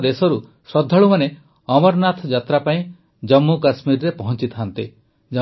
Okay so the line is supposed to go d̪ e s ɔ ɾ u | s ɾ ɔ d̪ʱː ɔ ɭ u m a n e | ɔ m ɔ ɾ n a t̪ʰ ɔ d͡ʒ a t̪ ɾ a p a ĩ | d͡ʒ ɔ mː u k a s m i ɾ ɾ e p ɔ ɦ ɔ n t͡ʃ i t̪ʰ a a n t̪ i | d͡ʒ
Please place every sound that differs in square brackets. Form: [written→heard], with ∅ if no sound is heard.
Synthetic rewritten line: d̪ e s ɔ ɾ u | s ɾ ɔ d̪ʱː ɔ ɭ u m a n e | ɔ m ɔ ɾ n a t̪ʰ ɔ d͡ʒ a t̪ ɾ a p a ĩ | d͡ʒ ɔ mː u k a s m i ɾ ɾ e p ɔ ɦ ɔ n t͡ʃ i t̪ʰ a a n t̪ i | d͡ʒ